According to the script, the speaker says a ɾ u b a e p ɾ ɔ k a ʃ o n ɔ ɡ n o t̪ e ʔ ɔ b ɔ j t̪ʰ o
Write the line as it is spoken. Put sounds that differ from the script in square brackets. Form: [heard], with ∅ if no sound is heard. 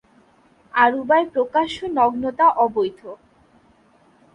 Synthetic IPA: a ɾ u b a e p ɾ [o] k a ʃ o n ɔ ɡ n o t̪ [a] ʔ ɔ b [o] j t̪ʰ o